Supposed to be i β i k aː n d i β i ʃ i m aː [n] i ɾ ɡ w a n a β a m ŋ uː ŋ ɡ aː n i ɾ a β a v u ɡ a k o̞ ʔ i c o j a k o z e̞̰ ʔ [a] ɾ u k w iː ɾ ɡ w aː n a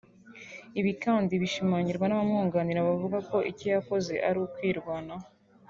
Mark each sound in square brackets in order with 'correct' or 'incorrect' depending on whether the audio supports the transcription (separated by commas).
incorrect, correct